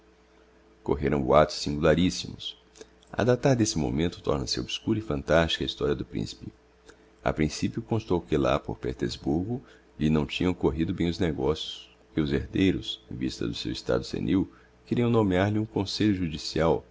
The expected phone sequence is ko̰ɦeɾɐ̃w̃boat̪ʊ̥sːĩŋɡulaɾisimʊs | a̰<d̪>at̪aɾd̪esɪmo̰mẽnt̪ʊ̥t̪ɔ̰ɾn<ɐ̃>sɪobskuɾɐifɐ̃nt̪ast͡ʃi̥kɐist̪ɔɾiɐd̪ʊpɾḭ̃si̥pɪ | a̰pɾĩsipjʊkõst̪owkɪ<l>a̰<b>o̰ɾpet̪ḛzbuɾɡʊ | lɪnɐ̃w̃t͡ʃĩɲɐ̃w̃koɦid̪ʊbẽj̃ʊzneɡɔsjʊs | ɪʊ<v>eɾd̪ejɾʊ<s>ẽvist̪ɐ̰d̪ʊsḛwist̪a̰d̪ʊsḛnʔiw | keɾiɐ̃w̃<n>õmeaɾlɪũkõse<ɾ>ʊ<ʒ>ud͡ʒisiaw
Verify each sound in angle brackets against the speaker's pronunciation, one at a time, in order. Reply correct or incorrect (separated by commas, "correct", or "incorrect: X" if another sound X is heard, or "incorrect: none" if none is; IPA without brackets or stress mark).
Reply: correct, incorrect: ɐ, correct, incorrect: p, incorrect: z, correct, correct, incorrect: ʎ, correct